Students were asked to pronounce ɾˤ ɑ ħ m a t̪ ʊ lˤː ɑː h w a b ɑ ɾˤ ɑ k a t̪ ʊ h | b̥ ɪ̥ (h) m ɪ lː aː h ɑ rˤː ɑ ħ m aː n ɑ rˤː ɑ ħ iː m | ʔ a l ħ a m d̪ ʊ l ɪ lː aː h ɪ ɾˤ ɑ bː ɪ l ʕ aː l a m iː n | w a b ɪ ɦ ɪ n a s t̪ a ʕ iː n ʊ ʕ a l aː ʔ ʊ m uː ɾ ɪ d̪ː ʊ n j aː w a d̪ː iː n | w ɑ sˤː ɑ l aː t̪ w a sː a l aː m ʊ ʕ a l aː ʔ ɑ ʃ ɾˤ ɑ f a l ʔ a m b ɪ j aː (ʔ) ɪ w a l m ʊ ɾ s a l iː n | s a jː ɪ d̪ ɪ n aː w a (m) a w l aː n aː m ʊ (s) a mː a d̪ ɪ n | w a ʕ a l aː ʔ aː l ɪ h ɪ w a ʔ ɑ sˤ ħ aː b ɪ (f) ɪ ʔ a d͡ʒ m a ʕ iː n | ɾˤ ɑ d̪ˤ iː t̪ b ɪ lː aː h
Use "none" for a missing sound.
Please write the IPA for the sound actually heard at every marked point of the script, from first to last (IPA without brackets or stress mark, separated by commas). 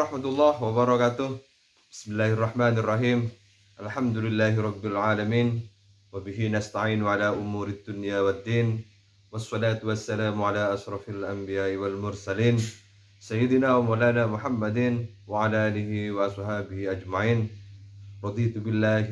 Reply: s, ʔ, m, ħ, h